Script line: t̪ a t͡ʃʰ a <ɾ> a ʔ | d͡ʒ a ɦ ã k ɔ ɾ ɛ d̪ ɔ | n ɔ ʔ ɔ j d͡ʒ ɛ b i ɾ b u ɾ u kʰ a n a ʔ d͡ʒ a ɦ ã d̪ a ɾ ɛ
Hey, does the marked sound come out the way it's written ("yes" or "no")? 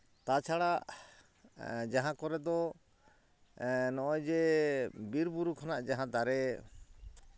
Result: no